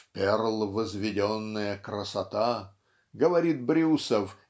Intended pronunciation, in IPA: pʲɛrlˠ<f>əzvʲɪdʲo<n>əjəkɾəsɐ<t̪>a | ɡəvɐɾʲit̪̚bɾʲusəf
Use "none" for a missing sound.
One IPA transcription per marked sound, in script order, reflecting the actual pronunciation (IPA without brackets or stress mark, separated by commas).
v, nː, t̪